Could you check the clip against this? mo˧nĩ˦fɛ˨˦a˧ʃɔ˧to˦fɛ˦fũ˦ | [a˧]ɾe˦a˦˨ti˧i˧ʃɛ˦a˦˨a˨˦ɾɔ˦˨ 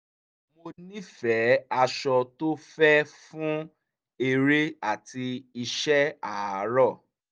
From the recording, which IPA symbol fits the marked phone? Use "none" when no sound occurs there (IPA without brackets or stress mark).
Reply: e˧